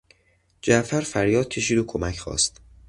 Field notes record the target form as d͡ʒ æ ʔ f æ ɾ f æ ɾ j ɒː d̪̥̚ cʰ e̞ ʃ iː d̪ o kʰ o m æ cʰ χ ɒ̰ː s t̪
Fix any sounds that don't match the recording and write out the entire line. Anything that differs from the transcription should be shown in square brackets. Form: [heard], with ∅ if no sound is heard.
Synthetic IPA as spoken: d͡ʒ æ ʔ f æ ɾ f æ ɾ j ɒː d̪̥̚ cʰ e̞ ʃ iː d̪ o kʰ o m æ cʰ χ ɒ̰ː s t̪

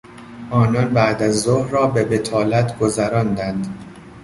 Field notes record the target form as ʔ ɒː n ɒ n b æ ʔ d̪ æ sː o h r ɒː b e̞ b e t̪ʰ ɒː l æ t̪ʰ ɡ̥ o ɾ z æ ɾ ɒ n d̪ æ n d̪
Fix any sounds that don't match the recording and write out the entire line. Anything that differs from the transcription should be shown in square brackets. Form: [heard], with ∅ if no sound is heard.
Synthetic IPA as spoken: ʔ ɒː n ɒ n b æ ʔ d̪ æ [zː] o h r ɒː b e̞ b e t̪ʰ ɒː l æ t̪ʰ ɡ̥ o [∅] z æ ɾ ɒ n d̪ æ n d̪

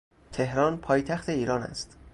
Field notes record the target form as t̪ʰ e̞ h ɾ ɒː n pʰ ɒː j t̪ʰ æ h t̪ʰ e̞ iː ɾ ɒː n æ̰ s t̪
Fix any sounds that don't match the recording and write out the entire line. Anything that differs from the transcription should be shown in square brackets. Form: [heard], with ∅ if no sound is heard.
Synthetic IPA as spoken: t̪ʰ e̞ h ɾ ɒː n pʰ ɒː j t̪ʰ æ [x] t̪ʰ e̞ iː ɾ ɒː n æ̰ s t̪

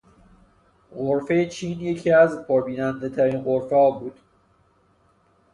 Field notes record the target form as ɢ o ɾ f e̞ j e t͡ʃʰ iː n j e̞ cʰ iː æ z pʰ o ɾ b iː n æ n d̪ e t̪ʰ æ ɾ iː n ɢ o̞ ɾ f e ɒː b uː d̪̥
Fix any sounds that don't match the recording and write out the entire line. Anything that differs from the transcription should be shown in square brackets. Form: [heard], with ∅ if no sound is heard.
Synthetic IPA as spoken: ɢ o ɾ f e̞ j e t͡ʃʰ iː n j e̞ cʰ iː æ z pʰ o ɾ b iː n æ n d̪ e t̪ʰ æ ɾ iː n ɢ o̞ ɾ f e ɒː b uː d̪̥

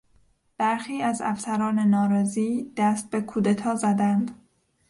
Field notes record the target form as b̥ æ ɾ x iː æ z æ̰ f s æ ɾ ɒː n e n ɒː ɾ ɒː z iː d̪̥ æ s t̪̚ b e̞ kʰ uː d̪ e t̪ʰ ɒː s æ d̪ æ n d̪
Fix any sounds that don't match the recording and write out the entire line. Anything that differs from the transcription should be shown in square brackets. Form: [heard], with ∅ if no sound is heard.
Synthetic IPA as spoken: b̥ æ ɾ x iː æ z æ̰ f s æ ɾ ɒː n e n ɒː ɾ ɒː z iː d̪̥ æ s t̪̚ b e̞ kʰ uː d̪ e t̪ʰ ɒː [z] æ d̪ æ n d̪

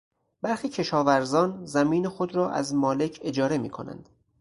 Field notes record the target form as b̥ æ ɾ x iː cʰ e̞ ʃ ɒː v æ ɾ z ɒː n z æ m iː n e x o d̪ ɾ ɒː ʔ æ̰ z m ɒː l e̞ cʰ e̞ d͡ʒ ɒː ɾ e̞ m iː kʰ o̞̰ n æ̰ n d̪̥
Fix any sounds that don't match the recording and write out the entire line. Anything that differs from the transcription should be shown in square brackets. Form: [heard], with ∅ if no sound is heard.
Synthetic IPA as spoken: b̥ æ ɾ x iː cʰ e̞ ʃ ɒː v æ ɾ z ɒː n z æ m iː n e x o d̪ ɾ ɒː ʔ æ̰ z m ɒː l e̞ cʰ e̞ d͡ʒ ɒː ɾ e̞ m iː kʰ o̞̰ n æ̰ n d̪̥

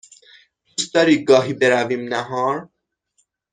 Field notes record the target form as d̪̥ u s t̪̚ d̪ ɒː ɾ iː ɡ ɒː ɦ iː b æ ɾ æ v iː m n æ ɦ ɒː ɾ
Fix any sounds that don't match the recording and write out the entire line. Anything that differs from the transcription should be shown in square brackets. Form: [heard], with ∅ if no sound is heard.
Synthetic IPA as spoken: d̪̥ u s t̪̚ d̪ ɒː ɾ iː ɡ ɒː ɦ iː b [e] ɾ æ v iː m n æ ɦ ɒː ɾ

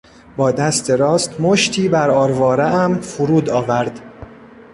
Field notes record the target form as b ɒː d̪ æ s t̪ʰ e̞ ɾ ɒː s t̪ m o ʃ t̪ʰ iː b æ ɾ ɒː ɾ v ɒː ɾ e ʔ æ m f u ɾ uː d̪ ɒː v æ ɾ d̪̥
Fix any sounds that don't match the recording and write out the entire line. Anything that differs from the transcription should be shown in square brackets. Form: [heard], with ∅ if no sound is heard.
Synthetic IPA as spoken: b ɒː d̪ æ s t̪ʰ e̞ ɾ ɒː s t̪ m o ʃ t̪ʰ iː b æ ɾ ɒː ɾ v ɒː ɾ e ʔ æ m f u ɾ uː d̪ ɒː v æ ɾ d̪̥

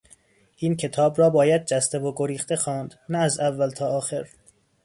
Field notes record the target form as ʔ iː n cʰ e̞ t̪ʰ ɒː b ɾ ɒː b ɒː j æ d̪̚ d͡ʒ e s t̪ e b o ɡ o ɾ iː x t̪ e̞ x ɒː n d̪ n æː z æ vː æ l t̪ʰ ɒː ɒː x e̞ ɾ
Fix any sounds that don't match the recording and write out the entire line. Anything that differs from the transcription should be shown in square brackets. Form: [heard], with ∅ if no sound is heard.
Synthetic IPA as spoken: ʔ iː n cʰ e̞ t̪ʰ ɒː b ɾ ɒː b ɒː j æ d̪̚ d͡ʒ [æ] s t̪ e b o ɡ o ɾ iː x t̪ e̞ x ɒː n d̪ n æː z æ vː æ l t̪ʰ ɒː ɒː x e̞ ɾ

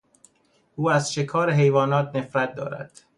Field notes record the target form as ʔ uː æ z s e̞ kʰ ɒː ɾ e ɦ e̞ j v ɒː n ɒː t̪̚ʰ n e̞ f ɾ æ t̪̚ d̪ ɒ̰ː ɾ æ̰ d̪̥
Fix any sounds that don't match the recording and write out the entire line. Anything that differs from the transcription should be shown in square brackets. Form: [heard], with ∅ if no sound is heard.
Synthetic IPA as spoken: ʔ uː æ z [ʃ] e̞ kʰ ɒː ɾ e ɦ e̞ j v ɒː n ɒː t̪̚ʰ n e̞ f ɾ æ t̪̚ d̪ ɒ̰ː ɾ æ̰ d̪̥

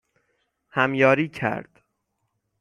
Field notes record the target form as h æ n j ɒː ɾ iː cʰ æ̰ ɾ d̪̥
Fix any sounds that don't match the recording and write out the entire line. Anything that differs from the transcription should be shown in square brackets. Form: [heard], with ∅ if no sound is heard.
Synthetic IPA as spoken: h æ [m] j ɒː ɾ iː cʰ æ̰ ɾ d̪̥

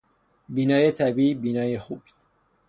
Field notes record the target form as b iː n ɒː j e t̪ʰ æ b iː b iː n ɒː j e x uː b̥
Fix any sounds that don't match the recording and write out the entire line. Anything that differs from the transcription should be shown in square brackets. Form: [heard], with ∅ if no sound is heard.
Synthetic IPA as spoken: b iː n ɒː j e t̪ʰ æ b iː b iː n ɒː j e x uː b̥

